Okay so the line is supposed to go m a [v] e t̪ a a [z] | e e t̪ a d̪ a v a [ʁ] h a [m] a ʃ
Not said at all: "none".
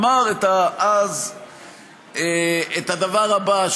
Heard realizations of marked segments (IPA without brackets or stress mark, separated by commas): ʁ, z, ʁ, b